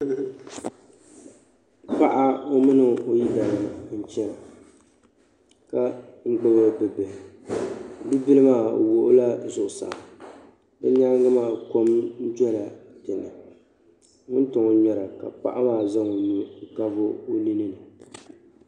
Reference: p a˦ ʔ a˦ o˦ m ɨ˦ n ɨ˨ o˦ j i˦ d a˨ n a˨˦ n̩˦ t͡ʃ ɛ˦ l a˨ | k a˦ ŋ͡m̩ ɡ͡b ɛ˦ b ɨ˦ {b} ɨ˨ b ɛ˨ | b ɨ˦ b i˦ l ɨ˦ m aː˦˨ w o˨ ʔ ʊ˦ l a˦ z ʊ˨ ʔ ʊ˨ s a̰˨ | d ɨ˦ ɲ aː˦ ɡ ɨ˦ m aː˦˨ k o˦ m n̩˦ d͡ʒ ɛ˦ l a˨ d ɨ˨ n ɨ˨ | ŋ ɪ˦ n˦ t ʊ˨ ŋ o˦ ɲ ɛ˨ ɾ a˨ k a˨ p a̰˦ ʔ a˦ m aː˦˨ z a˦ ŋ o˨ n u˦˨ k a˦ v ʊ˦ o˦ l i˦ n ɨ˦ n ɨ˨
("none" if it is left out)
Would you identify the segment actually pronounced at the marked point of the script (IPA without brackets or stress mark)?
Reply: b